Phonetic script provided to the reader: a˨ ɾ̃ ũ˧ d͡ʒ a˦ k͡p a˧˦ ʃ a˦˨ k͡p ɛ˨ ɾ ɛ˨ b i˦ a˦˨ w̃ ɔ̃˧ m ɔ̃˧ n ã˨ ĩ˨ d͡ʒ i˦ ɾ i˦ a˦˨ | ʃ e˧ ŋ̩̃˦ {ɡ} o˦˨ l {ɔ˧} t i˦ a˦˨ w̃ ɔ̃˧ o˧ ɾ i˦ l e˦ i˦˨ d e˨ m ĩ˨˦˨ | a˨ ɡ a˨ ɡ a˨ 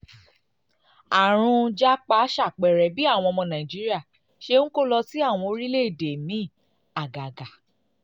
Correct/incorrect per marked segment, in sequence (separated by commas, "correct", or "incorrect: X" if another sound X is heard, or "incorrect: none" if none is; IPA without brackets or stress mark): incorrect: k, correct